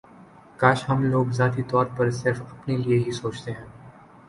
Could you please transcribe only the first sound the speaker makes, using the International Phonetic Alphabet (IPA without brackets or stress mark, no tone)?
k